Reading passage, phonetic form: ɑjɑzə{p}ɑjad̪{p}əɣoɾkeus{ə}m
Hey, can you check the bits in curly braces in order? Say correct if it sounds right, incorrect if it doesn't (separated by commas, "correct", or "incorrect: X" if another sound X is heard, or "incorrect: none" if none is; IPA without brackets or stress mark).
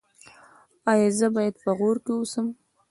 incorrect: b, correct, correct